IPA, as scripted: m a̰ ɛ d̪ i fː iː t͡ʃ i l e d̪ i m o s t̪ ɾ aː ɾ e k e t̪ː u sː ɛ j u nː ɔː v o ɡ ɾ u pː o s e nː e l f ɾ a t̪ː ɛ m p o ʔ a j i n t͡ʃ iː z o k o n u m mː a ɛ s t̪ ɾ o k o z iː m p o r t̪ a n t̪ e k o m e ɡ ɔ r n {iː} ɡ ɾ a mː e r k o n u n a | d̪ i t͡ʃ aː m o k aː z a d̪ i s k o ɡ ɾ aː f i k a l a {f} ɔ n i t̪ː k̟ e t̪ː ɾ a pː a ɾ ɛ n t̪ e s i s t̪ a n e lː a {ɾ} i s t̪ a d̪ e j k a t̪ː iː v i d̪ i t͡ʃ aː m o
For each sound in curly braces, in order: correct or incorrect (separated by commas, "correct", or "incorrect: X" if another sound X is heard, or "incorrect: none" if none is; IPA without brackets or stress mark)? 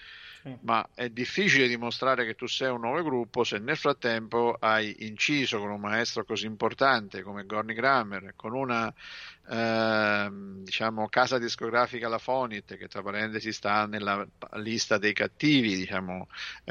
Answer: incorrect: i, correct, incorrect: l